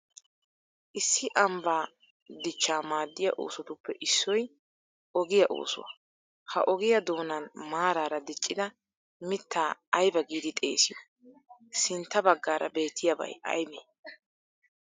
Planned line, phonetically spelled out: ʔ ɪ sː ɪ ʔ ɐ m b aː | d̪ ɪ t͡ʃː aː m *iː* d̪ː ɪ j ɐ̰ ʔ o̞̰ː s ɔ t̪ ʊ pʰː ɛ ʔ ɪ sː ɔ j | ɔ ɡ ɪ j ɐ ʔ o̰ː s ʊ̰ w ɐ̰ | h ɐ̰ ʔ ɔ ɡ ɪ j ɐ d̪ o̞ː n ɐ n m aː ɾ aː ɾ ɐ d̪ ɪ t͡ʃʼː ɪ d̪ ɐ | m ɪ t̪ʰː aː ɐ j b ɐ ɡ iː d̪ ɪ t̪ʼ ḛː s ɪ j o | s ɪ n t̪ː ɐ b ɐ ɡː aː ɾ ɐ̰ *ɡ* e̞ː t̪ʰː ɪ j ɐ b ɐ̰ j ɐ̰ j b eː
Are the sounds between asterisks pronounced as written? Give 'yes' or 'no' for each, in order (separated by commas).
no, no